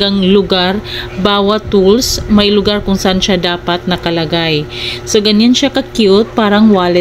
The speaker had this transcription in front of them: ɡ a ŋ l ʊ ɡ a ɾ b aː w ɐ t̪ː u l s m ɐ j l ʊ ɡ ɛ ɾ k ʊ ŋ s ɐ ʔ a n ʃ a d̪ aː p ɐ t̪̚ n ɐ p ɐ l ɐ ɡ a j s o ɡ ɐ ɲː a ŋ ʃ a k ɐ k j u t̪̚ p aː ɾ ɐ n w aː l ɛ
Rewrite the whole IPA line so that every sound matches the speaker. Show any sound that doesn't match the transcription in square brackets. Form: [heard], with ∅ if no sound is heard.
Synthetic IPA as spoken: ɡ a ŋ l ʊ ɡ a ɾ b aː w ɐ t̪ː u l s m ɐ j l ʊ ɡ [a] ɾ k ʊ ŋ s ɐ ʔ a n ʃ a d̪ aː p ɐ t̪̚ n ɐ [k] ɐ l ɐ ɡ a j s o ɡ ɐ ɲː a [n] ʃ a k ɐ k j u t̪̚ p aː ɾ ɐ [ŋ] w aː l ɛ